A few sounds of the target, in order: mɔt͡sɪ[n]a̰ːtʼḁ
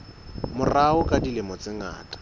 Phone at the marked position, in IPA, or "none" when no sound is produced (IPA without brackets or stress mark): ŋ